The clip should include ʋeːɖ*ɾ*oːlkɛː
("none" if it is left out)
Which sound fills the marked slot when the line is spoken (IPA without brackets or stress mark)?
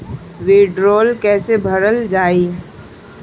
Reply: ɾ